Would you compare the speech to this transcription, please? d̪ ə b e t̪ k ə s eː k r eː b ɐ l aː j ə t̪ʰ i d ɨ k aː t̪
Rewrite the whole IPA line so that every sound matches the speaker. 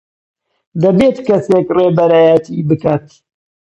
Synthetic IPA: d̪ ɐ b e t̪ k ɐ s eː k r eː b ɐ ɾ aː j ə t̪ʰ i b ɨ k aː t̪